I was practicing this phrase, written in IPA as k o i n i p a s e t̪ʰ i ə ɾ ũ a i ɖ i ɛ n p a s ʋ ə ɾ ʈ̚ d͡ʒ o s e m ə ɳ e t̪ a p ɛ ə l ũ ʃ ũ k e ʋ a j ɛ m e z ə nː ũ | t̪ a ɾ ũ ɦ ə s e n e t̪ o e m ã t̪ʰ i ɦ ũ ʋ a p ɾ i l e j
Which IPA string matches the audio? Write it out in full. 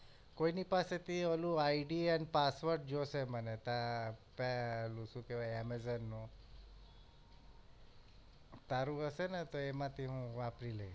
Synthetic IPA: k o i n i p a s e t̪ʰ i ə l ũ a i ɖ i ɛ n p a s ʋ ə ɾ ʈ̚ d͡ʒ o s e m ə n e t̪ a p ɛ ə l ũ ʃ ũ k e ʋ a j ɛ m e z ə nː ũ | t̪ a ɾ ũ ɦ ə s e n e t̪ o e m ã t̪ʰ i ɦ ũ ʋ a p ɾ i l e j